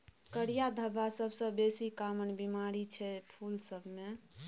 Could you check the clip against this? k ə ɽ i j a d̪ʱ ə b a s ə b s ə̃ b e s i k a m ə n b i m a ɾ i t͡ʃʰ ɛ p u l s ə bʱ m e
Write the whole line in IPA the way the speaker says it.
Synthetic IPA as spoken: k ə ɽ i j a d̪ʱ ə b a s ə b s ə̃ b e s i k a m ə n b i m a ɾ i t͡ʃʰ ɛ pʰ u l s ə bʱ m e